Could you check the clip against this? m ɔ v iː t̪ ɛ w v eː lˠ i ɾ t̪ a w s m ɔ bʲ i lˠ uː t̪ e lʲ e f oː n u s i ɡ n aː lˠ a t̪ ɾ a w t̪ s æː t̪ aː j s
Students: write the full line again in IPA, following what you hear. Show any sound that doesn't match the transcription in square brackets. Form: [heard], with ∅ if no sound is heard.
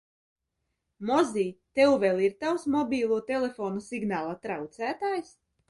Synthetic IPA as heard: m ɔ [z] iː t̪ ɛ w v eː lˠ i ɾ t̪ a w s m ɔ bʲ [iː] lˠ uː t̪ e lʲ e f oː n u s i ɡ n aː lˠ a t̪ ɾ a w t̪ s æː t̪ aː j s